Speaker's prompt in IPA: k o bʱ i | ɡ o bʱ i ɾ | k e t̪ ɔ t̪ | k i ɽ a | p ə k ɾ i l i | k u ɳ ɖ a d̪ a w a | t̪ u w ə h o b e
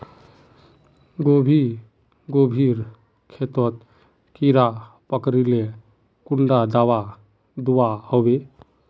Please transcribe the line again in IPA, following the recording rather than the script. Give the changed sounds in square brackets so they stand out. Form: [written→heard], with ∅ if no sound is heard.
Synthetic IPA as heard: [k→ɡ] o bʱ i | ɡ o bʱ i ɾ | [k→kʰ] e t̪ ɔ t̪ | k i [ɽ→ɾ] a | p ə k ɾ i l [i→e] | k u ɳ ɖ a d̪ a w a | [t̪→d̪] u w [ə→a] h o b e